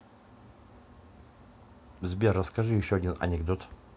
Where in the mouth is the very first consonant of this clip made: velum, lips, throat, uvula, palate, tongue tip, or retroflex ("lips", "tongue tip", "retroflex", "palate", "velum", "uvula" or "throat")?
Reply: tongue tip